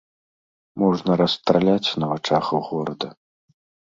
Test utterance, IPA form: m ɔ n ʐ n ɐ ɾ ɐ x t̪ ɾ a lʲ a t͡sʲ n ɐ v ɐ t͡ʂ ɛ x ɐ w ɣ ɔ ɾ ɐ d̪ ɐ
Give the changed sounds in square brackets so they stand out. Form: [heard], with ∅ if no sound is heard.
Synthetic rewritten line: m ɔ [∅] ʐ n ɐ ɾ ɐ [s] t̪ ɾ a lʲ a t͡sʲ n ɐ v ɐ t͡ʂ [a] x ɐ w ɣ ɔ ɾ ɐ d̪ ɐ